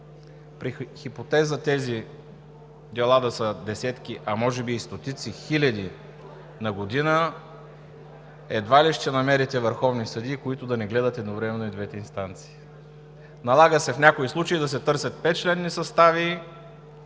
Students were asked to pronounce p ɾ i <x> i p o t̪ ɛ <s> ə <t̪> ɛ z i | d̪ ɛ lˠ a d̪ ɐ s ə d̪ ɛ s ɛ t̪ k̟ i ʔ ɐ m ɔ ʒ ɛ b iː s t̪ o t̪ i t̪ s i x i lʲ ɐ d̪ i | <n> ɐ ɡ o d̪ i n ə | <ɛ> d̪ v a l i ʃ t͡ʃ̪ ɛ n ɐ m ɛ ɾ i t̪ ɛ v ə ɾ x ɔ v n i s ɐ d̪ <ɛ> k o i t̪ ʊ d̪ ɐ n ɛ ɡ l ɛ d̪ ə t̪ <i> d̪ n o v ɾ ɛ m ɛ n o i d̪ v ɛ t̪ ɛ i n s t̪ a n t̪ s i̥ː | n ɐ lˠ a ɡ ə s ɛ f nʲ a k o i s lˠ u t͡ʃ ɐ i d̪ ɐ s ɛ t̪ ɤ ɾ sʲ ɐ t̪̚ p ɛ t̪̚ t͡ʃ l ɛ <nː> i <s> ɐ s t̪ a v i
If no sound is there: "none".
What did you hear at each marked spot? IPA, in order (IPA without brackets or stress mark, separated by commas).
x, z, t̪, n, ɛ, i, ɛ, nː, s